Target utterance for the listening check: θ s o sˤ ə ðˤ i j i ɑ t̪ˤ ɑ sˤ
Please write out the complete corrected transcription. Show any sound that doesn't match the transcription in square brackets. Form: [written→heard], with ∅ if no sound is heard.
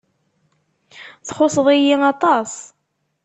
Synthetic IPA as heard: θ [s→χ] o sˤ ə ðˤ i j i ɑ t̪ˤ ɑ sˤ